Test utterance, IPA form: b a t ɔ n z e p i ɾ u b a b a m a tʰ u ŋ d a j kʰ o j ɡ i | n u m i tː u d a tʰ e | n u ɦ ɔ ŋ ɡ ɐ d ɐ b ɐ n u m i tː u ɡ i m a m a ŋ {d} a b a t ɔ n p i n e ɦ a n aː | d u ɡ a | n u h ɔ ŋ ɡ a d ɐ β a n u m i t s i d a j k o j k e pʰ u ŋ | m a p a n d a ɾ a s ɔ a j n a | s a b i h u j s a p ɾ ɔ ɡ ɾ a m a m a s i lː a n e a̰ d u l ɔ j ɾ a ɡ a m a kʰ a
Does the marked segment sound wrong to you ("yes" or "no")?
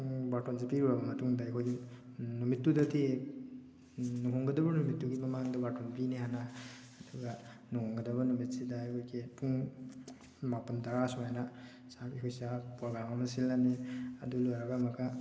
no